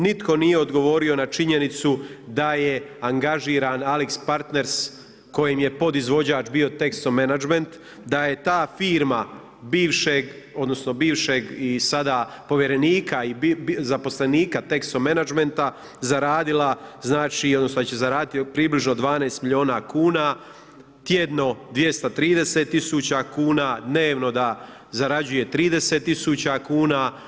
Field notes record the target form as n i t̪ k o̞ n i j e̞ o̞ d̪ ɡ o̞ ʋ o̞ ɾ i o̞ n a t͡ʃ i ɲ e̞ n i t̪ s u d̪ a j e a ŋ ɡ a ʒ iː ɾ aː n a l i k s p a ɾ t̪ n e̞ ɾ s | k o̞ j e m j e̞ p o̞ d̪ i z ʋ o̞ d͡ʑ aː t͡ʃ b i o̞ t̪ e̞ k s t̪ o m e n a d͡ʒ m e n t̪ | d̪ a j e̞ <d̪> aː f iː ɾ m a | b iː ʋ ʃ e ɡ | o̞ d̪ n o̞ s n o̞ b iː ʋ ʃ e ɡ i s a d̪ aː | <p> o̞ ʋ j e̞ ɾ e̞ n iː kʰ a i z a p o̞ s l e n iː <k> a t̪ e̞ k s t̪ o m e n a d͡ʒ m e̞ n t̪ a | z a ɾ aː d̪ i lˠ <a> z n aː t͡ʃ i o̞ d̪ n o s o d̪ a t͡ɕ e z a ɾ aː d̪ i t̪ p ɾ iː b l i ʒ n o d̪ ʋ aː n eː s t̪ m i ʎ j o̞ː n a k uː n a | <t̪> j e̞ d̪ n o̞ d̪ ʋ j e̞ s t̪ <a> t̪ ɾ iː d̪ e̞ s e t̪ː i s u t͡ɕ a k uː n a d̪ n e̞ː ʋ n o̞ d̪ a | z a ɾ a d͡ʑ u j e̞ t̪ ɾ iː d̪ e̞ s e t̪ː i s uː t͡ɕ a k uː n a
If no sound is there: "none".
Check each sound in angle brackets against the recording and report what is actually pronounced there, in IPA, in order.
t̪, p, k, a, t̪, a

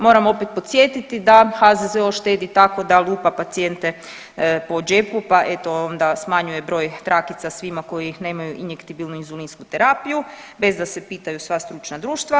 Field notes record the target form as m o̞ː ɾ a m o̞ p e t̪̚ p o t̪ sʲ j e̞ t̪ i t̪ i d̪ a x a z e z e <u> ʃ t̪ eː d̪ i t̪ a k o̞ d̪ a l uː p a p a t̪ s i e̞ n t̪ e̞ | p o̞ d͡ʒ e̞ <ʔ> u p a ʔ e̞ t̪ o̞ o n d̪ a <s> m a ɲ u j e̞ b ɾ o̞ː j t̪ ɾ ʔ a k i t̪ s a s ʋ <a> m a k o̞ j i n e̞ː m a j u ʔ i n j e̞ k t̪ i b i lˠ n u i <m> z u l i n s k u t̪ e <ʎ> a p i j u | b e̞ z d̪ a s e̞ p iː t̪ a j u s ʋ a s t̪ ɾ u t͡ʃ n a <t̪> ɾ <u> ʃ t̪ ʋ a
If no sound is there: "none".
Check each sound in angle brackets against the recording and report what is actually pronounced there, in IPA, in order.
o, p, s, i, n, ɾ, d̪, uː

